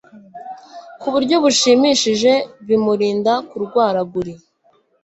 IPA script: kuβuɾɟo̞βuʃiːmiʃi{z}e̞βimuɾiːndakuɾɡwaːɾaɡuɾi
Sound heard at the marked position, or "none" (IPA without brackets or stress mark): ʒ